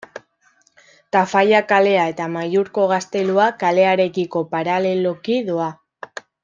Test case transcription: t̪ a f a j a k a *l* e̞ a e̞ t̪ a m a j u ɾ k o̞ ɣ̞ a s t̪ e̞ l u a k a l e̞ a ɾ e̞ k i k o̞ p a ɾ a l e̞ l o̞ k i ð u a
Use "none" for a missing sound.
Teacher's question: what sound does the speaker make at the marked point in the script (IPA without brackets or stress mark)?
l